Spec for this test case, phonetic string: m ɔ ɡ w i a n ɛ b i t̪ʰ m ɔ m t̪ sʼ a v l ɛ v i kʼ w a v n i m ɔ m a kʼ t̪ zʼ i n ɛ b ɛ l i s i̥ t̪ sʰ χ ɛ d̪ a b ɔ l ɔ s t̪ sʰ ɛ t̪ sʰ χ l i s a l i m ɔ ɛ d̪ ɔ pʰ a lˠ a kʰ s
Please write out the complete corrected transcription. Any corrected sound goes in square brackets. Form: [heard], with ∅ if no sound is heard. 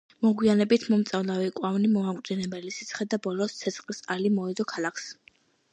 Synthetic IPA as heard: m ɔ ɡ w i a n ɛ b i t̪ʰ m ɔ m t̪ sʼ a v l [a] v i kʼ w a v n i m ɔ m a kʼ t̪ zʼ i n ɛ b ɛ l i s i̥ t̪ sʰ χ ɛ d̪ a b ɔ l ɔ s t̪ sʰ ɛ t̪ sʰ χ l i s a l i m ɔ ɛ d̪ ɔ [kʰ] a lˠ a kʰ s